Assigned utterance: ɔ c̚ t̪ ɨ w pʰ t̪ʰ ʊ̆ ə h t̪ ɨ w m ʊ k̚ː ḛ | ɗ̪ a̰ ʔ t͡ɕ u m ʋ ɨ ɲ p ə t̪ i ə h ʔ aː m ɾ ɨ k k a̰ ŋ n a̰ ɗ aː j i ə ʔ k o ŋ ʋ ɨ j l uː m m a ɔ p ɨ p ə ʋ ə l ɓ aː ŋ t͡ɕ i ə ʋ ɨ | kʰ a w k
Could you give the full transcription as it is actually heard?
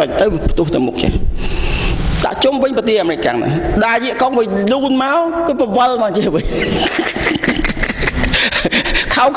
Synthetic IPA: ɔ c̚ t̪ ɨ w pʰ t̪ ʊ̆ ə h t̪ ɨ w m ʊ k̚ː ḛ | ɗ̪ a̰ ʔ t͡ɕ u m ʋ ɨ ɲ p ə t̪ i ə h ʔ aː m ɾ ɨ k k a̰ ŋ n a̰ ɗ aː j i ə ʔ k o ŋ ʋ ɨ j l uː n m a ɔ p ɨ p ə ʋ ə l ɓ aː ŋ t͡ɕ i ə ʋ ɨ | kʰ a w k

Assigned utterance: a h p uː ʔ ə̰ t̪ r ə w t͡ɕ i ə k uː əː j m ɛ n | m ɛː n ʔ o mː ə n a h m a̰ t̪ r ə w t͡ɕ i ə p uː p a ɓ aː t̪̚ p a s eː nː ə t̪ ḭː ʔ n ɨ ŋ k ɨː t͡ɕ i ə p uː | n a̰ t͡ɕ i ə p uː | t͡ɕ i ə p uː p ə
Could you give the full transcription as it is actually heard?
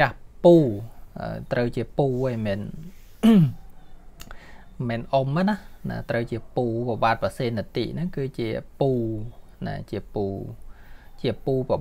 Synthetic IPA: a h p uː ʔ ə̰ t̪ r ə w t͡ɕ i ə p uː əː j m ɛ n | m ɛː n ʔ o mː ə n a h n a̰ t̪ r ə w t͡ɕ i ə p uː p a ɓ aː t̪̚ p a s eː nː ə t̪ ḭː ʔ n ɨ ŋ k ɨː t͡ɕ i ə p uː | n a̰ t͡ɕ i ə p uː | t͡ɕ i ə p uː p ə

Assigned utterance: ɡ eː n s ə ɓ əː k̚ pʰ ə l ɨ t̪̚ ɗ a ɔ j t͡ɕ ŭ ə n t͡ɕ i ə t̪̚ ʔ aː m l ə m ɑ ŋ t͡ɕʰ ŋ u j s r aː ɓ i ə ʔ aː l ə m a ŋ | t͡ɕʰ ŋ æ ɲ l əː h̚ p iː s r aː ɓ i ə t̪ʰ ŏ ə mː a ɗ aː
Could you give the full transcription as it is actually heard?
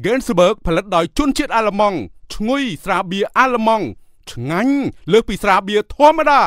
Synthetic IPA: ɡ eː n s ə ɓ əː k̚ pʰ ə l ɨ t̪̚ ɗ a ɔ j t͡ɕ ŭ ə n t͡ɕ i ə t̪̚ ʔ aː l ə m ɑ ŋ t͡ɕʰ ŋ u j s r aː ɓ i ə ʔ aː l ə m ɑ ŋ | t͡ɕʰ ŋ a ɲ l əː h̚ p iː s r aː ɓ i ə t̪ʰ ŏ ə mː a ɗ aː

